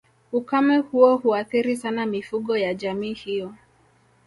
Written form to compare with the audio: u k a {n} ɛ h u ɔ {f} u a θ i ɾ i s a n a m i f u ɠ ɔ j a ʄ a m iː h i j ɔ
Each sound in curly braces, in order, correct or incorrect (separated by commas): incorrect, incorrect